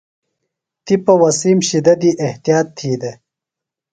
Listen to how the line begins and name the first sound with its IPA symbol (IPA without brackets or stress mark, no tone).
t̪